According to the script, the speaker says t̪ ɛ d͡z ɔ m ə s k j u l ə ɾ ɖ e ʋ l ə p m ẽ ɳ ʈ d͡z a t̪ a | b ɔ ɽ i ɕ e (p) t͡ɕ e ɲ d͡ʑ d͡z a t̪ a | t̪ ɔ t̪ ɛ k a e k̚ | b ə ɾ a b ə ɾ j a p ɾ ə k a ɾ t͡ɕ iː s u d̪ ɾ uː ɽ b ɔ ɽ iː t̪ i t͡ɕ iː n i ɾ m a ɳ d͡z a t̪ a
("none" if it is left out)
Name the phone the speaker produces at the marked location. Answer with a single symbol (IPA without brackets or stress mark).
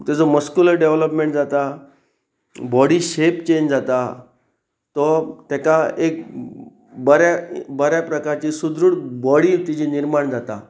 p